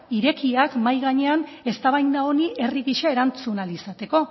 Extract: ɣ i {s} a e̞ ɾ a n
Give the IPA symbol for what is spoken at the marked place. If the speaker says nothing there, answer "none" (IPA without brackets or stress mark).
ʃ